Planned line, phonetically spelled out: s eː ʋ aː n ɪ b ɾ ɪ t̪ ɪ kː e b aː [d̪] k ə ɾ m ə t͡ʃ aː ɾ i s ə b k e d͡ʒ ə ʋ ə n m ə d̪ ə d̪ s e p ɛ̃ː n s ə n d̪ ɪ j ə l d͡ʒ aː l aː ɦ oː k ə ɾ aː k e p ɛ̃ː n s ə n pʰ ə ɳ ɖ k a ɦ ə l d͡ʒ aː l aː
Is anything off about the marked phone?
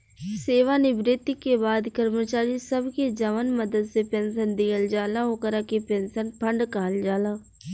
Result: no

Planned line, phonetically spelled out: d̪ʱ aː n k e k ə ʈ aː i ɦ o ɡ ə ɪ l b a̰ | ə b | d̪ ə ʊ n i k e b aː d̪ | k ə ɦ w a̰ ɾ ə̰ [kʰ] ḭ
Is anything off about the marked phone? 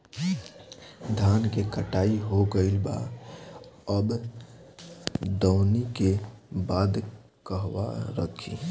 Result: no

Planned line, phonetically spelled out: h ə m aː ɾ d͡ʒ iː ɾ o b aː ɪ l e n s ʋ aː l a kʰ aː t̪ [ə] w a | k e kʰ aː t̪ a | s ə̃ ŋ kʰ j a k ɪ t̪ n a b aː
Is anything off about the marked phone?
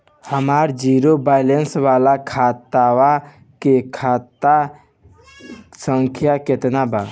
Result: yes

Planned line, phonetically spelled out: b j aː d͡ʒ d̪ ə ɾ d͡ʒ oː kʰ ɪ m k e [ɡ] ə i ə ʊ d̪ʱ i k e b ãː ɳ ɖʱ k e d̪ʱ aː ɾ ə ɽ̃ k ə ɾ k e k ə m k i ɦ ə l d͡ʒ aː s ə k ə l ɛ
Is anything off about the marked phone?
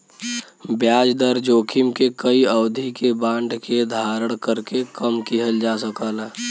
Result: yes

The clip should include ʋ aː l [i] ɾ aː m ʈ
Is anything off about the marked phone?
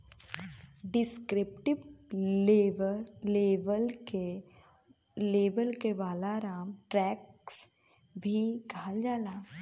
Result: yes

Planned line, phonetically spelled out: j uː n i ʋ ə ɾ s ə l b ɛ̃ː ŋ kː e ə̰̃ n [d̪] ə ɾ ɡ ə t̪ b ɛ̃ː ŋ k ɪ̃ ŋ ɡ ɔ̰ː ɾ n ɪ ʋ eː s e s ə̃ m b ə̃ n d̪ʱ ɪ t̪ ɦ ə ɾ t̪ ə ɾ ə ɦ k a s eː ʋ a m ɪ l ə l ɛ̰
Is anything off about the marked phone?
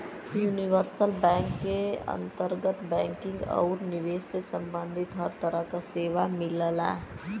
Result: yes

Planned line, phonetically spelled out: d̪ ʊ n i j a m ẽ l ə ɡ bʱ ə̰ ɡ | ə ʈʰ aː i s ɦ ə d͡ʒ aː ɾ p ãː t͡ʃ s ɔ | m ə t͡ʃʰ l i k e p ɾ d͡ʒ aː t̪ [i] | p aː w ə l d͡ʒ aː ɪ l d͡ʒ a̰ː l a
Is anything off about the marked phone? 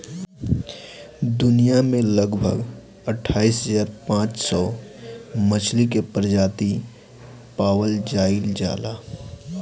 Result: no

